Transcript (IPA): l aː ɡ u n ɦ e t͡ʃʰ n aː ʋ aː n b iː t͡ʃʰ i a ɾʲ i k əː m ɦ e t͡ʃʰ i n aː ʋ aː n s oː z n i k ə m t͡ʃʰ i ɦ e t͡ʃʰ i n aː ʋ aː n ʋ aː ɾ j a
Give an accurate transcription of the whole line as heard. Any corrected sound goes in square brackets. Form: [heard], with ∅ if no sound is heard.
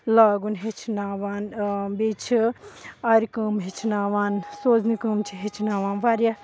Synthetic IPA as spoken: l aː ɡ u n ɦ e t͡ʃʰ n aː ʋ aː n b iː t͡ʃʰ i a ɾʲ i k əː m ɦ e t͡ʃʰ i n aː ʋ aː n s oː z n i k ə m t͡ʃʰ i ɦ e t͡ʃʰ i n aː ʋ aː n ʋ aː ɾ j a